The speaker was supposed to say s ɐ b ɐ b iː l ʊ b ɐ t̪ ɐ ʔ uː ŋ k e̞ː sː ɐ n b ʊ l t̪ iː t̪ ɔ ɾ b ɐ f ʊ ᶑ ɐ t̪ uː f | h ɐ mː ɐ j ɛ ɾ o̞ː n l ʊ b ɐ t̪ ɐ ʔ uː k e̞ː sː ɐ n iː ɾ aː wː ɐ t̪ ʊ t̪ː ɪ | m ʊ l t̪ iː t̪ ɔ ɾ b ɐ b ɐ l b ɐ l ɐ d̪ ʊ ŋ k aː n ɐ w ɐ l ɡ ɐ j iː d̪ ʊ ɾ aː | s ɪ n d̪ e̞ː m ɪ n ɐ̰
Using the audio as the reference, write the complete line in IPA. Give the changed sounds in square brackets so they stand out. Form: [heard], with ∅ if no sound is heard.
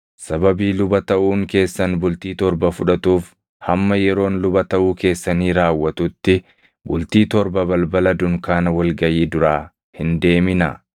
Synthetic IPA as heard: s ɐ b ɐ b iː l ʊ b ɐ t̪ ɐ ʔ uː ŋ k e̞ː sː ɐ n b ʊ l t̪ iː t̪ ɔ ɾ b ɐ f ʊ ᶑ ɐ t̪ uː f | h ɐ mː ɐ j ɛ ɾ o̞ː n l ʊ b ɐ t̪ ɐ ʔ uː k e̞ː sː ɐ n iː ɾ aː wː ɐ t̪ ʊ t̪ː ɪ | [b] ʊ l t̪ iː t̪ ɔ ɾ b ɐ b ɐ l b ɐ l ɐ d̪ ʊ ŋ k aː n ɐ w ɐ l ɡ ɐ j iː d̪ ʊ ɾ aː | [h] ɪ n d̪ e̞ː m ɪ n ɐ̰